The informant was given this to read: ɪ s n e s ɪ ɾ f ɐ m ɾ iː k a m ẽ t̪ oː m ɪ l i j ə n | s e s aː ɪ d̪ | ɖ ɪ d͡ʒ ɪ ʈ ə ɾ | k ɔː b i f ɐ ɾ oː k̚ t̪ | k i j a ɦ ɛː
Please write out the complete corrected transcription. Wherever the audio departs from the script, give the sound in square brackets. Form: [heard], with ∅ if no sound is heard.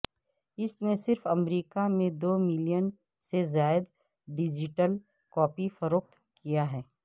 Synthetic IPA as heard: ɪ s n e s ɪ ɾ f ɐ m ɾ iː k a m ẽ [d̪] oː m ɪ l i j ə n | s e [z] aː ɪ d̪ | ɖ ɪ d͡ʒ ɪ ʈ ə [l] | k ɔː [p] i f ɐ ɾ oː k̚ t̪ | k i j a ɦ ɛː

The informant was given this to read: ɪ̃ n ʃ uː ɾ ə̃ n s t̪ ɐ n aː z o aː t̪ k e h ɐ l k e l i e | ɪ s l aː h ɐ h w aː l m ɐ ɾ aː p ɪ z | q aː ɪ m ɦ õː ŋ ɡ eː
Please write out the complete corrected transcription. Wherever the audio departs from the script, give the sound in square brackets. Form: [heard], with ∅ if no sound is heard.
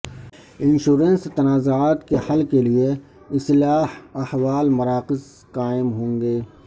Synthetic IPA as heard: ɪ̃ n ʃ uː ɾ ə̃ n s t̪ ɐ n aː z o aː t̪ k e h ɐ l k e l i e | ɪ s l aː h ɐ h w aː l m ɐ ɾ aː [q] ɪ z | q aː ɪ m ɦ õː ŋ ɡ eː

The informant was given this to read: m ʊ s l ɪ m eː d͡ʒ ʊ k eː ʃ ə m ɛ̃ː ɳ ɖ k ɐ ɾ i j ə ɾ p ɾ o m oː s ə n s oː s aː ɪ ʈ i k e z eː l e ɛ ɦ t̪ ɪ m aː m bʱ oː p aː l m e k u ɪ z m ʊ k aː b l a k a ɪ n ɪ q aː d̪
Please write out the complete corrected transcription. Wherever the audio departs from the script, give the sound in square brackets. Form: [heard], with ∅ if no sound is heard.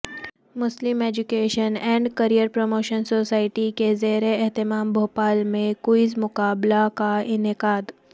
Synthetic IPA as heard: m ʊ s l ɪ m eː d͡ʒ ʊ k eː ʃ ə [n] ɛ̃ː ɳ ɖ k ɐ ɾ i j ə ɾ p ɾ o m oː [ʃ] ə n s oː s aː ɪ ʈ i k e z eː [ɾ] e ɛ ɦ t̪ ɪ m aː m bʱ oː p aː l m [ẽ] k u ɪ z m ʊ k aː b l a k a ɪ n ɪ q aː d̪

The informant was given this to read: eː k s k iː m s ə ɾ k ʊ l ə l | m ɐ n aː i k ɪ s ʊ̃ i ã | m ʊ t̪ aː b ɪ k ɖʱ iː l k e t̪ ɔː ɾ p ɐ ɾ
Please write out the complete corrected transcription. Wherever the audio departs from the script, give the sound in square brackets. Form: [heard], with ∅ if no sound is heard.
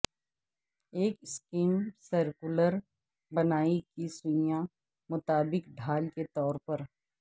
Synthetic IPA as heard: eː k s k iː m s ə ɾ k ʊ l ə [ɾ] | [b] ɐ n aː i k [i] s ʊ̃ [j] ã | m ʊ t̪ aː b ɪ k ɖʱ [aː] l k e t̪ ɔː ɾ p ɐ ɾ

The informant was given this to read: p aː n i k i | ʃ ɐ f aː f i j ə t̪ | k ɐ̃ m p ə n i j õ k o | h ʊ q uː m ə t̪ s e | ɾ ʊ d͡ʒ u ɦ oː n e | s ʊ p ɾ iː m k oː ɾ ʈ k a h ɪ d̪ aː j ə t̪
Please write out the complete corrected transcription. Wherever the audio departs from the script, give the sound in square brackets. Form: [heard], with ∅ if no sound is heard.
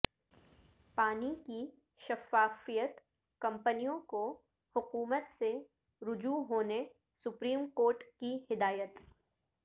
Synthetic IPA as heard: p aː n i k i | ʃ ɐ f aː f i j ə t̪ | k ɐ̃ m p ə n i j õ k o | h ʊ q uː m ə t̪ s e | ɾ ʊ d͡ʒ u ɦ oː n e | s ʊ p ɾ iː m k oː ɾ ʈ k [i] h ɪ d̪ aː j ə t̪

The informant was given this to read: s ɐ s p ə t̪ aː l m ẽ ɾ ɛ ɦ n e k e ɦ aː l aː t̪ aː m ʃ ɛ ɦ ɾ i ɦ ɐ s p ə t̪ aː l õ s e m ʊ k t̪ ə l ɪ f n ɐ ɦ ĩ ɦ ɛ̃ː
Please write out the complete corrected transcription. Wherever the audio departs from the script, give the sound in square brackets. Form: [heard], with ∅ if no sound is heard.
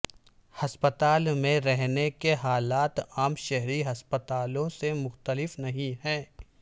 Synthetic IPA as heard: [h] ɐ s p ə t̪ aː l m ẽ ɾ ɛ ɦ n e k e ɦ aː l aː t̪ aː m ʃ ɛ ɦ ɾ i ɦ ɐ s p ə t̪ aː l õ s e m ʊ [x] t̪ ə l ɪ f n ɐ ɦ ĩ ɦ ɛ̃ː

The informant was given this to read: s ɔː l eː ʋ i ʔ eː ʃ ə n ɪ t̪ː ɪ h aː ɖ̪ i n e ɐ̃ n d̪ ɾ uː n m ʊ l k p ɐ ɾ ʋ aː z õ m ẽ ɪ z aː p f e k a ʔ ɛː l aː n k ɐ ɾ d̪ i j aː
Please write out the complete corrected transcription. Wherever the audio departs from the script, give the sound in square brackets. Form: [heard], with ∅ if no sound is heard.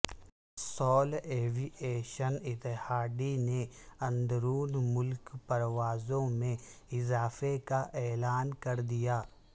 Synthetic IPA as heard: s ɔː l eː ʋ i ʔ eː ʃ ə n ɪ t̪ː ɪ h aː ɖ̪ i n e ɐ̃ n d̪ ɾ uː n m ʊ l k p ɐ ɾ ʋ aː z õ m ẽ ɪ z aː [∅] f e k a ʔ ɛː l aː n k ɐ ɾ d̪ i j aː

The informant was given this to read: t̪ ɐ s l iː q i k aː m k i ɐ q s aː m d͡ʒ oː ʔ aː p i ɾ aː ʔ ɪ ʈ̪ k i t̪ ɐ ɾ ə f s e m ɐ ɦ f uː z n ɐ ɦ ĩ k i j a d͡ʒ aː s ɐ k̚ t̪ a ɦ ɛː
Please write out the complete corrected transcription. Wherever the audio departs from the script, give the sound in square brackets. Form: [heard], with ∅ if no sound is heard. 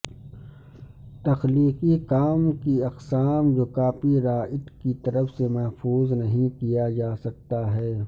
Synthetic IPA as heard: t̪ ɐ [x] l iː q i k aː m k i ɐ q s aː m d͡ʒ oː [k] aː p i ɾ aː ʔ ɪ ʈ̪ k i t̪ ɐ ɾ ə f s e m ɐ ɦ f uː z n ɐ ɦ ĩ k i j a d͡ʒ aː s ɐ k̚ t̪ a ɦ ɛː

